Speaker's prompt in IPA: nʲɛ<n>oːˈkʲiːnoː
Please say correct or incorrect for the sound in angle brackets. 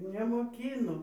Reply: incorrect: m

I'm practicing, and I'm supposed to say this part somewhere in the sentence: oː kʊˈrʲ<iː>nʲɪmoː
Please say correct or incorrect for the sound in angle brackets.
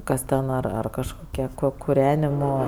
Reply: incorrect: æː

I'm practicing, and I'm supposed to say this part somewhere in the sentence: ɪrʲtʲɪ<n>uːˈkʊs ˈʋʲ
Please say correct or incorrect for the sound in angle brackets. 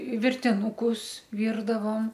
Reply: correct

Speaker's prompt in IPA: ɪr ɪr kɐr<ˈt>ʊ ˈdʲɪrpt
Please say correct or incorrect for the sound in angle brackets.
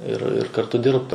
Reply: correct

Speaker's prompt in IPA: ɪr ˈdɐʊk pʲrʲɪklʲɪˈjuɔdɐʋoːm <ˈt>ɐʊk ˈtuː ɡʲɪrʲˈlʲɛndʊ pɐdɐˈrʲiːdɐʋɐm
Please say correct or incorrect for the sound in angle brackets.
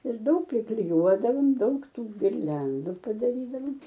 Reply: incorrect: d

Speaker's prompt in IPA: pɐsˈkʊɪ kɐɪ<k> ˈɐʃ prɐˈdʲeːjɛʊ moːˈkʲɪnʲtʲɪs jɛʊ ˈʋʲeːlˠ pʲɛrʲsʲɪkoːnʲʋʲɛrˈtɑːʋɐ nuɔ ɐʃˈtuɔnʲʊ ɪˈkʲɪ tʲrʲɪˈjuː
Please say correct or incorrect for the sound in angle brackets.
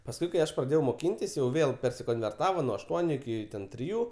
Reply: incorrect: none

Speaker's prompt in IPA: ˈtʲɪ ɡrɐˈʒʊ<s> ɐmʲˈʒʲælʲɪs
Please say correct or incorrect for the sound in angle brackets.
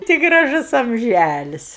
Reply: correct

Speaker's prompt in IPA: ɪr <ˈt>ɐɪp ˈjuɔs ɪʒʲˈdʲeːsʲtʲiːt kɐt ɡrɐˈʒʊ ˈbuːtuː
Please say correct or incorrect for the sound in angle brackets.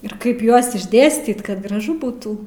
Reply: incorrect: k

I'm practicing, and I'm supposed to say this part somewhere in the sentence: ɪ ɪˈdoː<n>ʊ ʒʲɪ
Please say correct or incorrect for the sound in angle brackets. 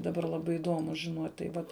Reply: incorrect: m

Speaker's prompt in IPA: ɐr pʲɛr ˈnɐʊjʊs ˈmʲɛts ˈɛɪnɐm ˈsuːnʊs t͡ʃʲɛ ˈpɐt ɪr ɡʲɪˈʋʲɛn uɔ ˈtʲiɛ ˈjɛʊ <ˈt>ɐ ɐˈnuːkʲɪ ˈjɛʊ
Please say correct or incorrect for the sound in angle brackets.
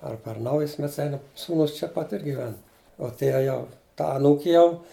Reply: correct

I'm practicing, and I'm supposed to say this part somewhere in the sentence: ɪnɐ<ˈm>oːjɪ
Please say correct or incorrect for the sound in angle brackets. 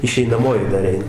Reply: correct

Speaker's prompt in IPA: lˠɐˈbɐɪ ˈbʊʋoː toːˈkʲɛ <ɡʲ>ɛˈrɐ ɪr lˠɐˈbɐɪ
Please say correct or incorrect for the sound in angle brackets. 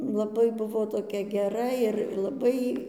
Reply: correct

